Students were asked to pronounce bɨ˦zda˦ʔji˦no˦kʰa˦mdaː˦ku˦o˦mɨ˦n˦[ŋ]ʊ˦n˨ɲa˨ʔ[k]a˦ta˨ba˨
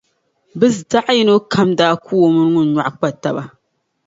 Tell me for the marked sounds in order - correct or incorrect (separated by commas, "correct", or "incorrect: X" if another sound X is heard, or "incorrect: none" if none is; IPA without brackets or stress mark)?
correct, incorrect: k͡p